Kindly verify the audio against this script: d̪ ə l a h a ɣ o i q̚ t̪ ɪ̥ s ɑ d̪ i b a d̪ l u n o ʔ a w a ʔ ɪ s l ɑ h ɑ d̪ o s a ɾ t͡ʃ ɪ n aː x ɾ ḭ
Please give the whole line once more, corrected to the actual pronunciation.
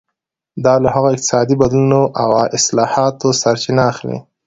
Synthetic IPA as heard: d̪ ɑ l a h a ɣ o ɪ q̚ t̪ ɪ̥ s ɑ d̪ i b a d̪ l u n o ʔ a w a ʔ ɪ s l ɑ h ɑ t̪ o s a ɾ t͡ʃ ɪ n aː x l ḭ